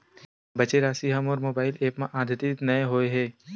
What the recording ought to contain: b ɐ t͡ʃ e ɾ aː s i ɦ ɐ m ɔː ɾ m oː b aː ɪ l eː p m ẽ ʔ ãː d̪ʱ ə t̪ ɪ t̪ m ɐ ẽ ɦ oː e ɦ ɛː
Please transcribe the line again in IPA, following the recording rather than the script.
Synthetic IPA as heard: b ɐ t͡ʃ e ɾ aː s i ɦ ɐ m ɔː ɾ m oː b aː ɪ l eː p m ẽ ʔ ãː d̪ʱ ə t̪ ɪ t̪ n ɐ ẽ ɦ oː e ɦ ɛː